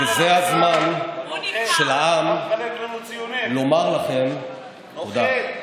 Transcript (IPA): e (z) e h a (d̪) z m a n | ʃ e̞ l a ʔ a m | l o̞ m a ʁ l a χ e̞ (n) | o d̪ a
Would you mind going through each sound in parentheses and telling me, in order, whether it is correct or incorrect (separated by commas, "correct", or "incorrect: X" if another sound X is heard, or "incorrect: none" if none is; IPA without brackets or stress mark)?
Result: correct, incorrect: none, incorrect: m